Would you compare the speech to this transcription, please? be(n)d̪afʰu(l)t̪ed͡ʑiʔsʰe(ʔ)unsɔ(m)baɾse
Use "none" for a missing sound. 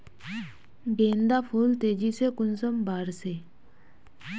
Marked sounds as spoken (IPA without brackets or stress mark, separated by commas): n, l, k, m